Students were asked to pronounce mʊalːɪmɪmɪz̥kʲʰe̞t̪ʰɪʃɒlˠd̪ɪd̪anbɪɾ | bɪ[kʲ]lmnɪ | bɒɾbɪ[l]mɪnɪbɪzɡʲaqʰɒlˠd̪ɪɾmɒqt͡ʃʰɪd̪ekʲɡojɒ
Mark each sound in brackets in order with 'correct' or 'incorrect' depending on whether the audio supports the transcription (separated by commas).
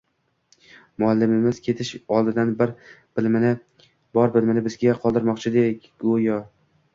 incorrect, correct